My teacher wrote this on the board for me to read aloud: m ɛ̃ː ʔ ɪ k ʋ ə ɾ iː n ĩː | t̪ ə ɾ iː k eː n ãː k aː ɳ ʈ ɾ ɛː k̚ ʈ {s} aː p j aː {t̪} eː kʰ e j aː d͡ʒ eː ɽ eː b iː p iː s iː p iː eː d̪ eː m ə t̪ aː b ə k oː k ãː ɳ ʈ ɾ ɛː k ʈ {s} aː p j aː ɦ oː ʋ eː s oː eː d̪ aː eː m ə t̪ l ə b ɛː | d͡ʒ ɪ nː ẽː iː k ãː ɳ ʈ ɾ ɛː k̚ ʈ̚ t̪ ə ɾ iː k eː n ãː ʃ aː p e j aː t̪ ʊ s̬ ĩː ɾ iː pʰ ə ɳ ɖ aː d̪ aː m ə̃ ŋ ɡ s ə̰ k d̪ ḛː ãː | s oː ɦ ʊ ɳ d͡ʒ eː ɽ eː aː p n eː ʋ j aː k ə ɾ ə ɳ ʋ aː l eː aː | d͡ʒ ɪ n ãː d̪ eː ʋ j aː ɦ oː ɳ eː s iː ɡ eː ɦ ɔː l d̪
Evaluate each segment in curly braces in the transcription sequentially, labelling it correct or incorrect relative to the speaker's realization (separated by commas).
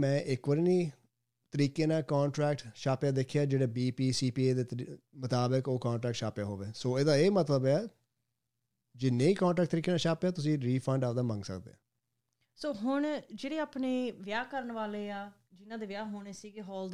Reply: incorrect, incorrect, incorrect